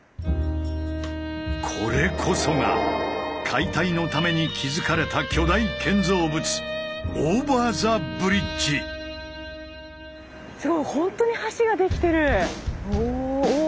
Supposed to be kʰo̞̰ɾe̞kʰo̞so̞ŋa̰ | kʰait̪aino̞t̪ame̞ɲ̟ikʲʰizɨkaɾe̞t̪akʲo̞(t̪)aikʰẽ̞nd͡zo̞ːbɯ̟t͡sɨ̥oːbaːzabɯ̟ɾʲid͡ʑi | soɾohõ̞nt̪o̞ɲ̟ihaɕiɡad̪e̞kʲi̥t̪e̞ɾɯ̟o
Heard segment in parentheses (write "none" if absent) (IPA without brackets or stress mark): d̪